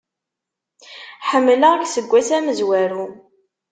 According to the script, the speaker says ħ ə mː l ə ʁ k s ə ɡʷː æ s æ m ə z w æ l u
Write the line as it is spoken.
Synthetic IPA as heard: ħ ə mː l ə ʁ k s ə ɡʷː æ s æ m ə z w æ ɾ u